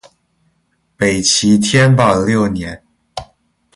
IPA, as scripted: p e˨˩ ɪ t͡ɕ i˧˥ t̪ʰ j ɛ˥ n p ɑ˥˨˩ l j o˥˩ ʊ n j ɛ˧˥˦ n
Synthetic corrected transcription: p e˨˩ ɪ t͡ɕʰ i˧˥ t̪ʰ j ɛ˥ n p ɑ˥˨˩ l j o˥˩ ʊ n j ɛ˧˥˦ n